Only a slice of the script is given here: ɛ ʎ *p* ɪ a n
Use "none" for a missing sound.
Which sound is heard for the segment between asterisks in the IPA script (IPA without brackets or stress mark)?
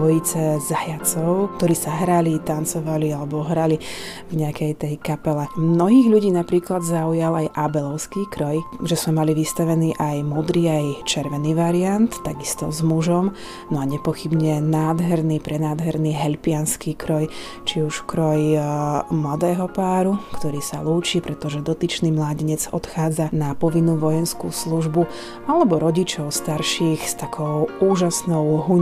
p